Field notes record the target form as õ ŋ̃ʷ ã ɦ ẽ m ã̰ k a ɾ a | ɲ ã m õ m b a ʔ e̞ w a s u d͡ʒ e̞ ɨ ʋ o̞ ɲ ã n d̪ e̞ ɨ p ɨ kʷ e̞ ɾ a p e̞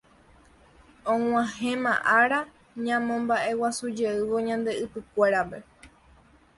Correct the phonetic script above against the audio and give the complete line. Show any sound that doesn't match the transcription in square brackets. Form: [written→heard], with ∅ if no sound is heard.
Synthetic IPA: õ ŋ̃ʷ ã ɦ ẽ m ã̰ [k→ʔ] a ɾ a | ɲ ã m õ m b a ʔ e̞ w a s u d͡ʒ e̞ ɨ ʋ o̞ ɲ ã n d̪ e̞ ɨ p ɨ kʷ e̞ ɾ a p e̞